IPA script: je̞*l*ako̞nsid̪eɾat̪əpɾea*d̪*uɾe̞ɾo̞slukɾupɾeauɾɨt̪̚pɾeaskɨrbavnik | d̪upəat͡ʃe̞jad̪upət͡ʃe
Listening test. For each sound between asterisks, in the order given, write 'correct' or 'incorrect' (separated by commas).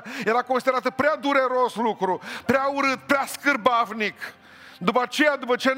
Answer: incorrect, correct